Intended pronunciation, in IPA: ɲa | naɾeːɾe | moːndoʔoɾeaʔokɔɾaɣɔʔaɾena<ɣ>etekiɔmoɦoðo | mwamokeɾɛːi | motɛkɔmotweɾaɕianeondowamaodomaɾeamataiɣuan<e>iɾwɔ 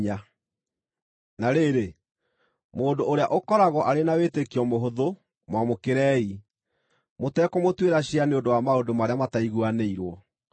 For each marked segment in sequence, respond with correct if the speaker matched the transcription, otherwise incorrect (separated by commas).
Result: incorrect, correct